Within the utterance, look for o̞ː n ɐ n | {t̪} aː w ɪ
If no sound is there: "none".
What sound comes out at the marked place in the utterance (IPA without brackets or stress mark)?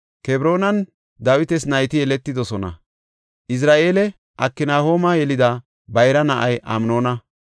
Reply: d̪